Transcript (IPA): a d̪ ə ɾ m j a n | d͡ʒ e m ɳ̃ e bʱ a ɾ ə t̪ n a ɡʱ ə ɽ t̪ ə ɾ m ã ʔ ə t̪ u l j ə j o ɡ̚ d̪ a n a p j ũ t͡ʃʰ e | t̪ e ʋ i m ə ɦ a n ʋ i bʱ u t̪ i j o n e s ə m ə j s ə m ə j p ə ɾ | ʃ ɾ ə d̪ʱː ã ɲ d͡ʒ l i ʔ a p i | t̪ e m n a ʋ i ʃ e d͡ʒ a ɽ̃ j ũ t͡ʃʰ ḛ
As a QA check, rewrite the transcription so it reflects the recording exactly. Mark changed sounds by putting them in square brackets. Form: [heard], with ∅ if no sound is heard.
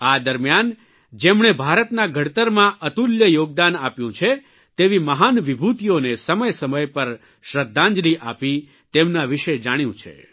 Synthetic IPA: a d̪ ə ɾ m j a n | d͡ʒ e m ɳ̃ e bʱ a ɾ ə t̪ n a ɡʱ ə ɽ t̪ ə ɾ m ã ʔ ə t̪ u l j ə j o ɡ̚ d̪ a n a p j ũ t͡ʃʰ e | t̪ e ʋ i m ə ɦ a n ʋ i bʱ u t̪ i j o n e s ə m ə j s ə m ə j p ə ɾ | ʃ ɾ ə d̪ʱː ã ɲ d͡ʒ l i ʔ a p i | t̪ e m n a ʋ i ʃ e d͡ʒ a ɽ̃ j ũ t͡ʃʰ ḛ

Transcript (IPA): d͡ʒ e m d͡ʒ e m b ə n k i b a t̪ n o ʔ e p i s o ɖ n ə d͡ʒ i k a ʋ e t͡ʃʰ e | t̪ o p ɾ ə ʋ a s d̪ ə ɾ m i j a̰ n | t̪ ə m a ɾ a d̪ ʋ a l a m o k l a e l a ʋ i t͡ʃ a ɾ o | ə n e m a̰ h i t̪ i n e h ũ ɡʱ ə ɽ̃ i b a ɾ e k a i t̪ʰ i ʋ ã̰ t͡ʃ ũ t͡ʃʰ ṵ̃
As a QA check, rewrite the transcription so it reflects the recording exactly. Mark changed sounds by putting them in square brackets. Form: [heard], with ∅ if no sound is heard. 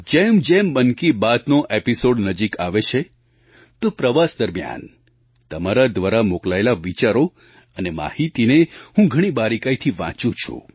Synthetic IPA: d͡ʒ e m d͡ʒ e m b ə n k i b a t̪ n o ʔ e p i s o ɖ n ə d͡ʒ i k a ʋ e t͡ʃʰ e | t̪ o p ɾ ə ʋ a s d̪ ə ɾ m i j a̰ n | t̪ ə m a ɾ a d̪ ʋ a [ɾ] a m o k l a e l a ʋ i t͡ʃ a ɾ o | ə n e m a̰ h i t̪ i n e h ũ ɡʱ ə ɽ̃ i b a ɾ [i] k a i t̪ʰ i ʋ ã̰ t͡ʃ ũ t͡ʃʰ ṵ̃

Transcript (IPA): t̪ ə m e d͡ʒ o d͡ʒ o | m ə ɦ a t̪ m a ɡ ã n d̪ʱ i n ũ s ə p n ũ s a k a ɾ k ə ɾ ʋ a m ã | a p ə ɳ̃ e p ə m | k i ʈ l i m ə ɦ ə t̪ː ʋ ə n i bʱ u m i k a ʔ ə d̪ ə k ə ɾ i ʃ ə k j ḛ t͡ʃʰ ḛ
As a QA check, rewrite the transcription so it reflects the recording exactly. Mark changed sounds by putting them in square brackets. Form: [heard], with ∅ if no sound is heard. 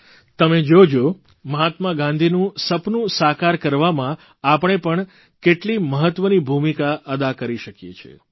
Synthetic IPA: t̪ ə m e d͡ʒ o d͡ʒ o | m ə ɦ a t̪ m a ɡ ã n d̪ʱ i n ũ s ə p n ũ s a k a ɾ k ə ɾ ʋ a m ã | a p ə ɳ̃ e p ə [ɳ] | k [e] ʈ l i m ə ɦ ə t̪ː ʋ ə n i bʱ u m i k a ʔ ə d̪ [a] k ə ɾ i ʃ ə k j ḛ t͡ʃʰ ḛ

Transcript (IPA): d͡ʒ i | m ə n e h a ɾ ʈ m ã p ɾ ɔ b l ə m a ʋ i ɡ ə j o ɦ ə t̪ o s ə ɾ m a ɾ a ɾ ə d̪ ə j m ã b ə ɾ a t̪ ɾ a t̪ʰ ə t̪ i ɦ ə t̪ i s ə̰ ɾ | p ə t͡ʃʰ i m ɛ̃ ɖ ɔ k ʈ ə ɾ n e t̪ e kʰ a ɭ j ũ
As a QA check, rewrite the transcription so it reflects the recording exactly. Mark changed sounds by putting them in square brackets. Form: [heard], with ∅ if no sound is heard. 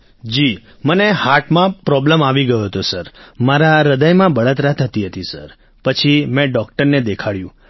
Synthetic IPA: d͡ʒ i | m ə n e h a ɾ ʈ m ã p ɾ ɔ b l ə m a ʋ i ɡ ə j o ɦ ə t̪ o s ə ɾ m a ɾ a ɾ ə d̪ ə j m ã b ə [ɭ] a t̪ ɾ a t̪ʰ ə t̪ i ɦ ə t̪ i s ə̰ ɾ | p ə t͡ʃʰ i m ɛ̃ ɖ ɔ k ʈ ə ɾ n e [d̪] e kʰ a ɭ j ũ

